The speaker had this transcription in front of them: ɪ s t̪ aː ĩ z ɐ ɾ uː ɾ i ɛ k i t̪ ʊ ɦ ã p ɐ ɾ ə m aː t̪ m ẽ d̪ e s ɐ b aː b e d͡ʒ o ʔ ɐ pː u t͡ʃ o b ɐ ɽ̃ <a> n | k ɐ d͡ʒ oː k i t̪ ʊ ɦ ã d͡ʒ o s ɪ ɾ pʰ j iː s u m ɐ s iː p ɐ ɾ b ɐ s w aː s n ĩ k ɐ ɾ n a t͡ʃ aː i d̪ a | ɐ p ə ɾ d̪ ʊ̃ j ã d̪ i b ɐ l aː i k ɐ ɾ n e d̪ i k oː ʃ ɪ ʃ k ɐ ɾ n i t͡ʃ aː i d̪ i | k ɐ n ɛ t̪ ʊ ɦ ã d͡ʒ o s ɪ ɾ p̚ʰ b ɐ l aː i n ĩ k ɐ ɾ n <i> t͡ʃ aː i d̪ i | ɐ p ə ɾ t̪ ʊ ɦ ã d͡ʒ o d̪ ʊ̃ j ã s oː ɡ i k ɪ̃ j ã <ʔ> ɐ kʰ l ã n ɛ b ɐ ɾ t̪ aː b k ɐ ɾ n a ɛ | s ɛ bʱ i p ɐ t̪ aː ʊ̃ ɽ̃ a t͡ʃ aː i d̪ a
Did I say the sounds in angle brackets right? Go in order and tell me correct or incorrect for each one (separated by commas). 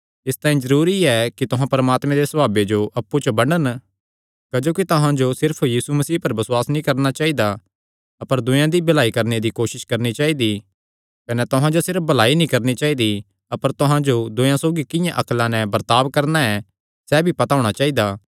incorrect, correct, correct